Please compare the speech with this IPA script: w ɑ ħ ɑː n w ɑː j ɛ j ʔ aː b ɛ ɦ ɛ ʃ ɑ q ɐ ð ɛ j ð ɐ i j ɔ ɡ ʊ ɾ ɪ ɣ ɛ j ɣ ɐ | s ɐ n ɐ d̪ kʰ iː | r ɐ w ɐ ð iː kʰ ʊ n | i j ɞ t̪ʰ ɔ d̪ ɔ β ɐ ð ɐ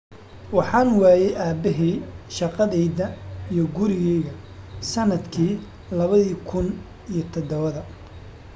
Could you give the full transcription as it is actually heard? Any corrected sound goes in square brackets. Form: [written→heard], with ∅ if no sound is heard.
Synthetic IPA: w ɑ ħ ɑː n w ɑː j ɛ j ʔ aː b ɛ ɦ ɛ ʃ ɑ q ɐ ð ɛ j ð ɐ i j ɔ ɡ ʊ ɾ ɪ ɣ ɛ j ɣ ɐ | s ɐ n ɐ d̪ kʰ iː | [r→l] ɐ [w→β] ɐ ð iː kʰ ʊ n | i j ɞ t̪ʰ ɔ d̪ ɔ β ɐ ð ɐ